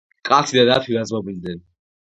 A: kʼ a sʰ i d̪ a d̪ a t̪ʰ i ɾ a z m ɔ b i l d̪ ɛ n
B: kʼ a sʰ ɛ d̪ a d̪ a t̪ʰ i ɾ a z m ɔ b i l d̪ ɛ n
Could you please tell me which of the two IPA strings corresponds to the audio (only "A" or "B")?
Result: A